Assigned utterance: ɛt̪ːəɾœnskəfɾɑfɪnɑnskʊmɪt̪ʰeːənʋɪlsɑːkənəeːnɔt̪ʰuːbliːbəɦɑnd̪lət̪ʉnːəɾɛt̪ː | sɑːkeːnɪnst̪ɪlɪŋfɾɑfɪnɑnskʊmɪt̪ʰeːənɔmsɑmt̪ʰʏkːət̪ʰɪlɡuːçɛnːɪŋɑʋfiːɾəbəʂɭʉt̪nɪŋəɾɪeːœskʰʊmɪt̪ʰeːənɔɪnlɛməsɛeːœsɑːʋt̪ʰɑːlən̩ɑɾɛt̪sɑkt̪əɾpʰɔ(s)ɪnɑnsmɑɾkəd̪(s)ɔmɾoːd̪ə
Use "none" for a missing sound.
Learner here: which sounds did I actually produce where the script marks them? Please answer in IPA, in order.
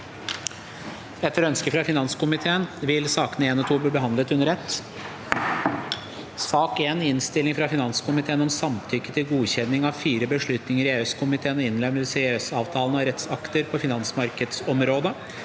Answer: f, s

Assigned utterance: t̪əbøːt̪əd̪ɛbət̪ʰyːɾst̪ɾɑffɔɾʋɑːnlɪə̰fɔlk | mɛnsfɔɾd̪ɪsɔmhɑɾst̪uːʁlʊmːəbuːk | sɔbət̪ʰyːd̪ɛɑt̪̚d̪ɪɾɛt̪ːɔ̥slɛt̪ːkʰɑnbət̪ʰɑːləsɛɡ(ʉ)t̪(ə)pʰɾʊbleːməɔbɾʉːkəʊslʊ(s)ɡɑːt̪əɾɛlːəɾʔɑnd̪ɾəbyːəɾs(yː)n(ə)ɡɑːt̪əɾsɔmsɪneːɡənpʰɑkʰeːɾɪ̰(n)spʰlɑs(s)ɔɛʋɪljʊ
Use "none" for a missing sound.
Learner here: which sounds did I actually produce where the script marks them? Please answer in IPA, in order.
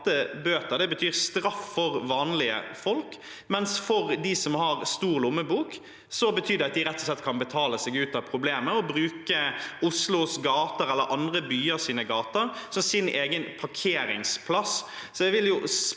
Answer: ʉː, ɑ, s, iː, ə, ŋ, s

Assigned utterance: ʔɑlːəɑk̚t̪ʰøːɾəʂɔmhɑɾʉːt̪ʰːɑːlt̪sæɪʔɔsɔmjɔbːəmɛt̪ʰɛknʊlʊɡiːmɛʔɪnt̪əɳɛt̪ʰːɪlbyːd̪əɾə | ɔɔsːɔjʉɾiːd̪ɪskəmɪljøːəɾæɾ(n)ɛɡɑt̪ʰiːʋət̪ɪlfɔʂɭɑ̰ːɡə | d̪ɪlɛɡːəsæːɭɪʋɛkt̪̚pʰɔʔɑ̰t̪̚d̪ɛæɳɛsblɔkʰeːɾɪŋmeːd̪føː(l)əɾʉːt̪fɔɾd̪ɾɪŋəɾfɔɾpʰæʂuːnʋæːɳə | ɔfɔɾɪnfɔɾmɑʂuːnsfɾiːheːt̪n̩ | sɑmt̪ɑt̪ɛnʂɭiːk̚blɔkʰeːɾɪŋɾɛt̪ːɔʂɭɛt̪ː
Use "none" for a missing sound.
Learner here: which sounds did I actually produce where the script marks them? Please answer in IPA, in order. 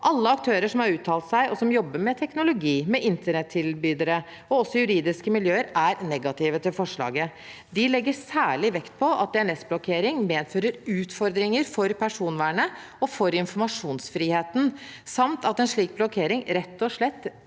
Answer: n, ɾ

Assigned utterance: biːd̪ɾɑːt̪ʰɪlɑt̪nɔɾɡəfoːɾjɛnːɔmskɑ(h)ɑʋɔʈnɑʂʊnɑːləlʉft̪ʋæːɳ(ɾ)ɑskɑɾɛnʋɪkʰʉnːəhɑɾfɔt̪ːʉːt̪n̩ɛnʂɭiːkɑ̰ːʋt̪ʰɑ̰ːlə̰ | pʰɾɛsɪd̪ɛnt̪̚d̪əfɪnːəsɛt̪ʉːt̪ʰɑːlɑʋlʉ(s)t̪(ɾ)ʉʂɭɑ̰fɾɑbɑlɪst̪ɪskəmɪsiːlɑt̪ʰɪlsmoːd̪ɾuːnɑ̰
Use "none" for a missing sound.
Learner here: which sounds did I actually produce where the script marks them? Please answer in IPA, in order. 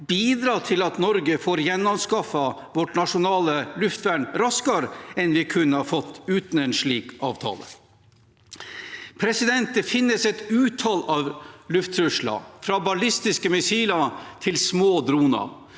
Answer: f, ɾ, f, ɾ

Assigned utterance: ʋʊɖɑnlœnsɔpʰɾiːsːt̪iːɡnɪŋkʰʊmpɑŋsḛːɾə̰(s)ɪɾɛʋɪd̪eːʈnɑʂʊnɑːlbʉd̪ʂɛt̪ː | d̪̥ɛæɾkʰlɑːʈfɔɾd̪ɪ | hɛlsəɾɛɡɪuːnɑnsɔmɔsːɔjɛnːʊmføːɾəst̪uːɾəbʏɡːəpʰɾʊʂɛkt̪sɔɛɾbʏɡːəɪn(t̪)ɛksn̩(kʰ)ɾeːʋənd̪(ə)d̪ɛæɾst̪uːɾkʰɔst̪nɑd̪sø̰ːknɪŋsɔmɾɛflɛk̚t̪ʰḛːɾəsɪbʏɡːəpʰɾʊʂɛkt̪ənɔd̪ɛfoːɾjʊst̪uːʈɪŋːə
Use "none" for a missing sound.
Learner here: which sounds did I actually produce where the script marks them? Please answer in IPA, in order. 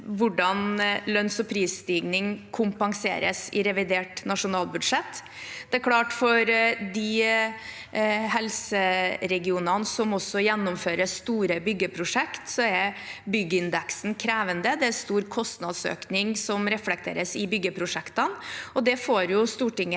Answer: s, d̪, kʰ, ə

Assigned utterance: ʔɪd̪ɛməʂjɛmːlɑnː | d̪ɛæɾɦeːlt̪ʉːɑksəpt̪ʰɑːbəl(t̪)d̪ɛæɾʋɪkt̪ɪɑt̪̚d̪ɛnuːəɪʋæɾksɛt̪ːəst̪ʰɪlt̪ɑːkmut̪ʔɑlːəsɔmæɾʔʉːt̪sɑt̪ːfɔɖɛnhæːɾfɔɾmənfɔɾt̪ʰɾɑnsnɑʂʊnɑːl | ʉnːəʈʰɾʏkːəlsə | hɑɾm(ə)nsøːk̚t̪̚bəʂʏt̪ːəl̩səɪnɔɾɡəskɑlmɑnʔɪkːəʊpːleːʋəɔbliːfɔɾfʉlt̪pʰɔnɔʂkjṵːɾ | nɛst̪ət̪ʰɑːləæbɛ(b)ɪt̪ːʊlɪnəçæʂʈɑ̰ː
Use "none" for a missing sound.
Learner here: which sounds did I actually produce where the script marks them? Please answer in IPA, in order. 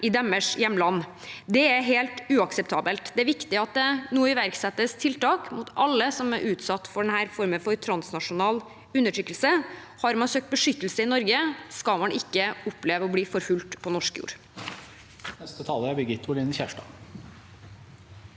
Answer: t̪, ɑ, ɡ

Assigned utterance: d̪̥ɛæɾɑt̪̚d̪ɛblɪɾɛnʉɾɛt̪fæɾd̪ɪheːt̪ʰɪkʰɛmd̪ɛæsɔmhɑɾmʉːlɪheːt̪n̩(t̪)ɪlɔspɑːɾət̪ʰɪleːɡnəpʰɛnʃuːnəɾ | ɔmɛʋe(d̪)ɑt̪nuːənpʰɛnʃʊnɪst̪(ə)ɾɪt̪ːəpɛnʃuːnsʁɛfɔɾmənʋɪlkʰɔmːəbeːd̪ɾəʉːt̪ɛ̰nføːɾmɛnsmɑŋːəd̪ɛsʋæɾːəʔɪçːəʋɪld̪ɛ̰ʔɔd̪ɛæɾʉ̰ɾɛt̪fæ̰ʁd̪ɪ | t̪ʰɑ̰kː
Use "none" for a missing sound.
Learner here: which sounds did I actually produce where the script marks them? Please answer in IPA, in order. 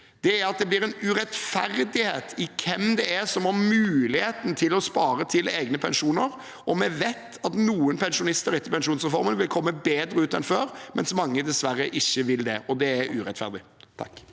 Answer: t̪ʰ, t̪, ə

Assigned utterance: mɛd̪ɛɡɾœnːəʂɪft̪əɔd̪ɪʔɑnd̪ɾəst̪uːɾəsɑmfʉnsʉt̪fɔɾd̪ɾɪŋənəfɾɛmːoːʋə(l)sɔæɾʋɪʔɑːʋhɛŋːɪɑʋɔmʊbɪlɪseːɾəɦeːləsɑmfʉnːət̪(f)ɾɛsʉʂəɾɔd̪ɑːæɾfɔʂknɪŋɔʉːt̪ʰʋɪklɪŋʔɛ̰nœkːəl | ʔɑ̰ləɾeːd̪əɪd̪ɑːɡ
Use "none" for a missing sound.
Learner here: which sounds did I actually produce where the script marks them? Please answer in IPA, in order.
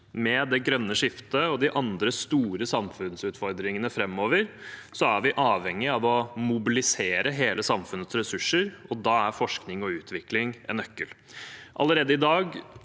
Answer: ɾ, s

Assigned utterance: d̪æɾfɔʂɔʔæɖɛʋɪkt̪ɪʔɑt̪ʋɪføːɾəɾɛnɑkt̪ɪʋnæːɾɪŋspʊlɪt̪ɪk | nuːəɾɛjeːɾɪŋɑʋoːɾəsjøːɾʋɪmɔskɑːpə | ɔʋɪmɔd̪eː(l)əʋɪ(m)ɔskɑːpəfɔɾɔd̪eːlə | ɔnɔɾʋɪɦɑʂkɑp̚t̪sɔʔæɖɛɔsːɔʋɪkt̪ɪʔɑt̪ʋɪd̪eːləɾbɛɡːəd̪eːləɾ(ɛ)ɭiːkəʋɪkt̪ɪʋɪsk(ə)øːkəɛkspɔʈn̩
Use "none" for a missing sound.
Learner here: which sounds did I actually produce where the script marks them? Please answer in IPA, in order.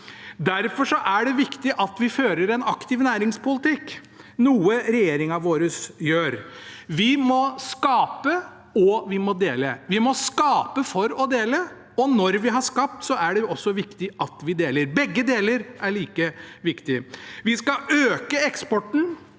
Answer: l, m, æ, ɑ

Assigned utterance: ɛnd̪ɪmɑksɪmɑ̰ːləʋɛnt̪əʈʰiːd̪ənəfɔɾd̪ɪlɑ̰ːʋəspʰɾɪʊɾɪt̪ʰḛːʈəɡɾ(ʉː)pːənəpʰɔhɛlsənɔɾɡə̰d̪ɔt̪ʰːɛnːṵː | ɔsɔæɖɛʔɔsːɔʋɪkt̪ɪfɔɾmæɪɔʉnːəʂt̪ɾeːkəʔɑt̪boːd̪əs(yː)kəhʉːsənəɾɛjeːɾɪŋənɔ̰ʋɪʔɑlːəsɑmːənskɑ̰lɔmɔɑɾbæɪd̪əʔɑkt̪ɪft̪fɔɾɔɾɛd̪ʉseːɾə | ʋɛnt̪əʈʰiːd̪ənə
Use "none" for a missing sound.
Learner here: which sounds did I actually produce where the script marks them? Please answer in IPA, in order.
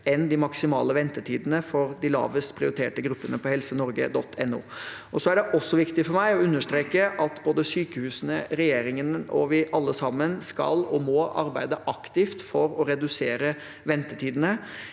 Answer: ʉ, yː

